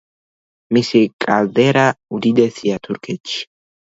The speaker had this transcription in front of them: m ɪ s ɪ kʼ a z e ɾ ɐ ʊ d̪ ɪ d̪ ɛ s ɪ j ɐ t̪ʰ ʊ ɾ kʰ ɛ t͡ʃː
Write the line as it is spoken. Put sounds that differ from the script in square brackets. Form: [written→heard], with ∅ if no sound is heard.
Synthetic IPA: m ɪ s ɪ kʼ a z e ɾ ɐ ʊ d̪ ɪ d̪ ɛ s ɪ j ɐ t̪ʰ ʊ ɾ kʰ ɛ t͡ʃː

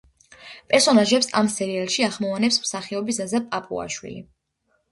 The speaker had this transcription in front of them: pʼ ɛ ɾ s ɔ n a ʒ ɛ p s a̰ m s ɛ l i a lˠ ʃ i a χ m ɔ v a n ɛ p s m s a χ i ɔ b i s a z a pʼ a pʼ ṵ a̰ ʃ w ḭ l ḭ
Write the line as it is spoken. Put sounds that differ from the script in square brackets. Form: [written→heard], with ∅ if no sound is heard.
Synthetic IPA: pʼ ɛ ɾ s ɔ n a ʒ ɛ p s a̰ m s ɛ [l→ɾ] i a lˠ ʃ i a χ m ɔ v a n ɛ p s m s a χ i ɔ b i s a z a pʼ a pʼ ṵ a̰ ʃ w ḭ l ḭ

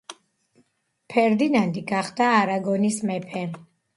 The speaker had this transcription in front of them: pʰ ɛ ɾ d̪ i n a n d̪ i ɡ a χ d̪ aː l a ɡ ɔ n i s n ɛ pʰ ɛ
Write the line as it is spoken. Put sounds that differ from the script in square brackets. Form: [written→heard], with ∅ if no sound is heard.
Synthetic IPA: pʰ ɛ ɾ d̪ i n a n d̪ i ɡ a χ d̪ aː [l→ɾ] a ɡ ɔ n i s [n→m] ɛ pʰ ɛ

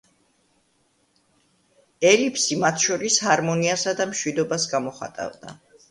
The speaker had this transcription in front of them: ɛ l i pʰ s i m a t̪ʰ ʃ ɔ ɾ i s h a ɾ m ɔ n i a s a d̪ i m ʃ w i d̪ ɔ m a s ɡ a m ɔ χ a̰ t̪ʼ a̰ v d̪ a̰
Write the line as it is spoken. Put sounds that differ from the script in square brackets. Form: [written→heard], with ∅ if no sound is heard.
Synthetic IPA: ɛ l i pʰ s i m a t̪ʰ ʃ ɔ ɾ i s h a ɾ m ɔ n i a s a d̪ [i→a] m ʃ w i d̪ ɔ [m→b] a s ɡ a m ɔ χ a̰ t̪ʼ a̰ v d̪ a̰

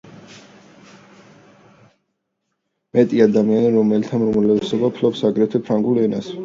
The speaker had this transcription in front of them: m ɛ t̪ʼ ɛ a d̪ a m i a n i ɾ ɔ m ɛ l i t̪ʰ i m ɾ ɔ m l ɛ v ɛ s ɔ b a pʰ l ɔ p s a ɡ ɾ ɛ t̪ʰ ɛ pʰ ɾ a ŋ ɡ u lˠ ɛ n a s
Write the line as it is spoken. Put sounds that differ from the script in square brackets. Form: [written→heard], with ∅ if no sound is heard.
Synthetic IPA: m ɛ t̪ʼ [ɛ→i] a d̪ a m i a n i ɾ ɔ m ɛ l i t̪ʰ [i→a] m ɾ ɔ m l ɛ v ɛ s ɔ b a pʰ l ɔ p s a ɡ ɾ ɛ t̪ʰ ɛ pʰ ɾ a ŋ ɡ u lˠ ɛ n a s

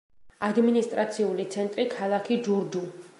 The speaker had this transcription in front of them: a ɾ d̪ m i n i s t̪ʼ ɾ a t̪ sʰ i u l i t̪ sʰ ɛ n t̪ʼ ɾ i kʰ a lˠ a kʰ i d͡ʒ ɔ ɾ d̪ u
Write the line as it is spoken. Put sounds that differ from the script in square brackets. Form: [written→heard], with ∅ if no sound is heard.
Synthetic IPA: a [ɾ→∅] d̪ m i n i s t̪ʼ ɾ a t̪ sʰ i u l i t̪ sʰ ɛ n t̪ʼ ɾ i kʰ a lˠ a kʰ i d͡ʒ [ɔ→u] ɾ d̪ u

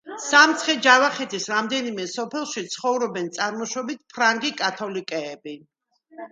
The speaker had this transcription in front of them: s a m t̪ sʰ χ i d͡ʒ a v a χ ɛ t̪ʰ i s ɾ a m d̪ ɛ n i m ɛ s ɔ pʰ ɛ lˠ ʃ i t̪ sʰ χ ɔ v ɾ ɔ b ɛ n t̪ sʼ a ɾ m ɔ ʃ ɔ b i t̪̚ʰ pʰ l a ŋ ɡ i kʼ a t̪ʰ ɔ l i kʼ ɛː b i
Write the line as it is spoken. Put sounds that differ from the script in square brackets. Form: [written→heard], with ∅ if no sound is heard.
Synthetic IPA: s a m t̪ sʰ χ [i→ɛ] d͡ʒ a v a χ ɛ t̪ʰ i s ɾ a m d̪ ɛ n i m ɛ s ɔ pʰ ɛ lˠ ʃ i t̪ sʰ χ ɔ v ɾ ɔ b ɛ n t̪ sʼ a ɾ m ɔ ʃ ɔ b i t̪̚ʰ pʰ [l→ɾ] a ŋ ɡ i kʼ a t̪ʰ ɔ l i kʼ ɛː b i

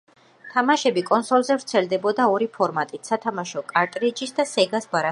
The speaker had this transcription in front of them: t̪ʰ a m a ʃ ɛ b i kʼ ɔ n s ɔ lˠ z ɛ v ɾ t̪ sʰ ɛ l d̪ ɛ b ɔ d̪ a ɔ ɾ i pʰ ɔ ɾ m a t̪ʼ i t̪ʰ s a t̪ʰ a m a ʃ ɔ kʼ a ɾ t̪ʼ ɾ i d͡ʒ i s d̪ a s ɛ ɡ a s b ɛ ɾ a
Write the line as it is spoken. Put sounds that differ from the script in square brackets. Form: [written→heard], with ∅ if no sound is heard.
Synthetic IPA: t̪ʰ a m a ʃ ɛ b i kʼ ɔ n s ɔ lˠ z ɛ v ɾ t̪ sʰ ɛ l d̪ ɛ b ɔ d̪ a ɔ ɾ i pʰ ɔ ɾ m a t̪ʼ i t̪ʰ s a t̪ʰ a m a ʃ ɔ kʼ a ɾ t̪ʼ ɾ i d͡ʒ i s d̪ a s ɛ ɡ a s b [ɛ→a] ɾ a

